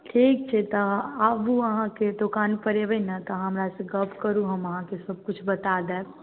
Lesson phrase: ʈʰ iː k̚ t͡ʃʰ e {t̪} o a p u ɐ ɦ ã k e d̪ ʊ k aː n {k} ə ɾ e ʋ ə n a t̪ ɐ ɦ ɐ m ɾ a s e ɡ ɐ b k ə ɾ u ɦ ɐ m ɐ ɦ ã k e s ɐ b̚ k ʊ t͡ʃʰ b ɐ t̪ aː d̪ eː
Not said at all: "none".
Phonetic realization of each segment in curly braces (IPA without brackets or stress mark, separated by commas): t̪, p